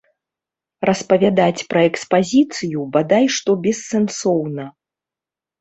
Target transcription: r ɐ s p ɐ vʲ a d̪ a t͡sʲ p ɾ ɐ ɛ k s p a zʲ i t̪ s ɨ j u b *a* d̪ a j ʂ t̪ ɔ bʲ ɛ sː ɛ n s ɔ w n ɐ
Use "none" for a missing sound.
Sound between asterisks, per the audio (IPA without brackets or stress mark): a